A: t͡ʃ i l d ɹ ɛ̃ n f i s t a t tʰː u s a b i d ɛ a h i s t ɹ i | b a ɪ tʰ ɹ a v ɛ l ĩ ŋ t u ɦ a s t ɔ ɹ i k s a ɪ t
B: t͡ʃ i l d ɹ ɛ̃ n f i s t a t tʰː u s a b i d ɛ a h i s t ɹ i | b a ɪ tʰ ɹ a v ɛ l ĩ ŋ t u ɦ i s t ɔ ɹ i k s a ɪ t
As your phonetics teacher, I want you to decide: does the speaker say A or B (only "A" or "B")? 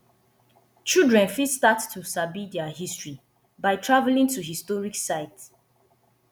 B